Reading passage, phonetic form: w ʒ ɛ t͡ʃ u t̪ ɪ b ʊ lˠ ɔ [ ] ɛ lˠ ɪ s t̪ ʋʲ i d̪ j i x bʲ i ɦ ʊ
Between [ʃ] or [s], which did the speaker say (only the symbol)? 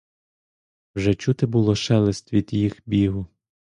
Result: ʃ